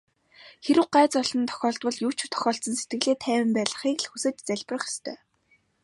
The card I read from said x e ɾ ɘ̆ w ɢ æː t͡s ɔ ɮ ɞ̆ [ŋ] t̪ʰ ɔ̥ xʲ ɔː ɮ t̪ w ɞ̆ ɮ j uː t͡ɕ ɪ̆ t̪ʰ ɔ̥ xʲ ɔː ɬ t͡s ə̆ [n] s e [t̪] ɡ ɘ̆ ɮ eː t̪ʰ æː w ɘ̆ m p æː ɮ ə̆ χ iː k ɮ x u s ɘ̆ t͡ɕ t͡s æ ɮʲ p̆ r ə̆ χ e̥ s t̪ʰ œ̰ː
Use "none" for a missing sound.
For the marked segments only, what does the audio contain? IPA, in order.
n, n, t̪

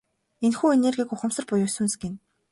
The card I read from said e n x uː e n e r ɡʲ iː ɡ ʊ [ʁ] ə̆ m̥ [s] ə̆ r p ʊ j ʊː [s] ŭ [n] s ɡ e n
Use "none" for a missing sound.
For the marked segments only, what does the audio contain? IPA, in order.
χ, s, s, n

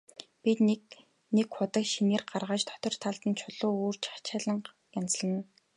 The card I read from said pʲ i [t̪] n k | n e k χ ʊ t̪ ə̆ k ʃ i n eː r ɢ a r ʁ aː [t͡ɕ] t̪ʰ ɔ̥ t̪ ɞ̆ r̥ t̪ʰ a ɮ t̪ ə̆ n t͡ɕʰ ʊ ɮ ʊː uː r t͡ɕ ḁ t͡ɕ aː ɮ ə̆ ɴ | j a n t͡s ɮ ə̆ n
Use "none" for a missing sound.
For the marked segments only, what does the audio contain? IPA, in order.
t̪, t͡ɕ

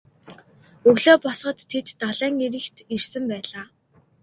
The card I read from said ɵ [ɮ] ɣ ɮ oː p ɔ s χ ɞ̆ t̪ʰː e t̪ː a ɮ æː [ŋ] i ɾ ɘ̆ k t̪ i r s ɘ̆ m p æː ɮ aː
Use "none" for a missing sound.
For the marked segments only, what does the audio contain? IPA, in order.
none, ŋ

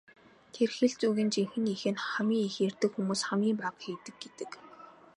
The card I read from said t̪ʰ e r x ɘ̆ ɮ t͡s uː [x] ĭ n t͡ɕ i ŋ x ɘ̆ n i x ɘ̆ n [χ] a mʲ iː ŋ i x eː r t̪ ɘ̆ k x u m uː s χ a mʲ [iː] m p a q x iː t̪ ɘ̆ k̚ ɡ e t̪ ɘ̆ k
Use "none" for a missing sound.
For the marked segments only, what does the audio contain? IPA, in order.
ɣ, χ, iː

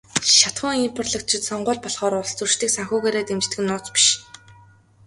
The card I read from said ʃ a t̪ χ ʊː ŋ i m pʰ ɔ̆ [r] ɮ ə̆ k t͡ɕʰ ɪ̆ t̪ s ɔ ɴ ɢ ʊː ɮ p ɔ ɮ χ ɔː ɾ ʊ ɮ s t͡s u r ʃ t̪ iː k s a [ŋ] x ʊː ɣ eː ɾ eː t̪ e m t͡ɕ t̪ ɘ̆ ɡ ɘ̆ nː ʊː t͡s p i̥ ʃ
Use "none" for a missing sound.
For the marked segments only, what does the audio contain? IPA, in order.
r, ŋ

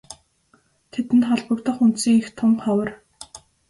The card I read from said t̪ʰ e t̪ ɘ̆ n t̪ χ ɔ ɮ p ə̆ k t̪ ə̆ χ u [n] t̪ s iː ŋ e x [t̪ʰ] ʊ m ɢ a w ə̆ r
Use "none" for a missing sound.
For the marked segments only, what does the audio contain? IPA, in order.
n, t̪ʰ

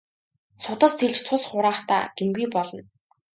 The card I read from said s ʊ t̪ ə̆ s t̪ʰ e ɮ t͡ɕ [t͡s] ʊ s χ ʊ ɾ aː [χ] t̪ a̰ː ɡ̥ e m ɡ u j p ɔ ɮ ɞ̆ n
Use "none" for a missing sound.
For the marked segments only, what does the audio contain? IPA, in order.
t͡sʰ, χ

